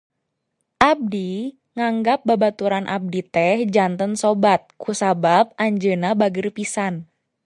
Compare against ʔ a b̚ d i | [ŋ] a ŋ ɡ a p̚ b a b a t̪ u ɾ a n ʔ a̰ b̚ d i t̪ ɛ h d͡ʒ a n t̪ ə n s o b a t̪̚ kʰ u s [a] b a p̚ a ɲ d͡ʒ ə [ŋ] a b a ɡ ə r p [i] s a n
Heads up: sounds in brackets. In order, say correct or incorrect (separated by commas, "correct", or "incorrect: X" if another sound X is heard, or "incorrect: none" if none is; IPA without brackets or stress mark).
correct, correct, incorrect: n, correct